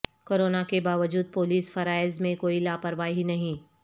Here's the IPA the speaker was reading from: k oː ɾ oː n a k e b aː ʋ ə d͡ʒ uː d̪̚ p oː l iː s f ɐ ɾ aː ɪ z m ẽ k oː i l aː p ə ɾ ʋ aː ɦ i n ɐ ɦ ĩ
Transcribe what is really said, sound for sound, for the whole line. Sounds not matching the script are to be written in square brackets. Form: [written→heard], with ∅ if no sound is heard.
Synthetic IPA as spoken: k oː ɾ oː n a k e b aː ʋ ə d͡ʒ uː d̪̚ p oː l iː s f ɐ ɾ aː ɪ z m ẽ k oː i l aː p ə ɾ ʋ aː ɦ i n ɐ ɦ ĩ